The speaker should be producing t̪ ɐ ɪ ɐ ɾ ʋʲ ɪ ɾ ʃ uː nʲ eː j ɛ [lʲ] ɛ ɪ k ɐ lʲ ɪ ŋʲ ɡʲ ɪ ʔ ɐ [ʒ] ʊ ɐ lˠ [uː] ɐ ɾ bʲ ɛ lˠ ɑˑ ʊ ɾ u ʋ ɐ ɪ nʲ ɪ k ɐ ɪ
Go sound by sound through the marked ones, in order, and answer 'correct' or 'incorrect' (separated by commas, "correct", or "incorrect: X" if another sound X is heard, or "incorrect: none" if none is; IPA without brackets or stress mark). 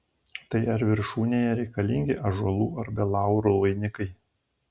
incorrect: ɾʲ, correct, correct